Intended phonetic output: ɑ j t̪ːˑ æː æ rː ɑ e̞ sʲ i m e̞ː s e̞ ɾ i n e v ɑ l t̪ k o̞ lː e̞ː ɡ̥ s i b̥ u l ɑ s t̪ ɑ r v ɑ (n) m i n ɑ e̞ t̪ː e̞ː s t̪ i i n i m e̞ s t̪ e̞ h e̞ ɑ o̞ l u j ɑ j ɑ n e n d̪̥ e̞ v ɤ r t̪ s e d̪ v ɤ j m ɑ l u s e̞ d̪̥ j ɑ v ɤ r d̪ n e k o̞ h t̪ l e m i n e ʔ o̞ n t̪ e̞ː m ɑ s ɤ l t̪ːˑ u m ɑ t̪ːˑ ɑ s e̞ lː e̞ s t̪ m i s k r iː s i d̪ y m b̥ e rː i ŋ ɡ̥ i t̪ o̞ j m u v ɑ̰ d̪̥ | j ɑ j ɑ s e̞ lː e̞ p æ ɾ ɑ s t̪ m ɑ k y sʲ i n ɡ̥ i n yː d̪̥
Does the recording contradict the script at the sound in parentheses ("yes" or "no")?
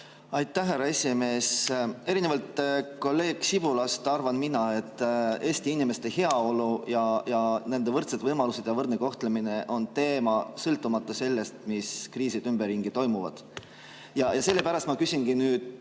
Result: no